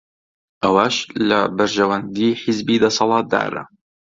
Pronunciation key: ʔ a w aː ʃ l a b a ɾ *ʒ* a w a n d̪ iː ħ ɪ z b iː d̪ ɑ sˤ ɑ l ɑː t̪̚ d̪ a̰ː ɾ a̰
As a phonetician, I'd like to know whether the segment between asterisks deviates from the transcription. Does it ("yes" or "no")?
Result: no